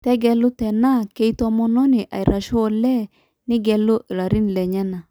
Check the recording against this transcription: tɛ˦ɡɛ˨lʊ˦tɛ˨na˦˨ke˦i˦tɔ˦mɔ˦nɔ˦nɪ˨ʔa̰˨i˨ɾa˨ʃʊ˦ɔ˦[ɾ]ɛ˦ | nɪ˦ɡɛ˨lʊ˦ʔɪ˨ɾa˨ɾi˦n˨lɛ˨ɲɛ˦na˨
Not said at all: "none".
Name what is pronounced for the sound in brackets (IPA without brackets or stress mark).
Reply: l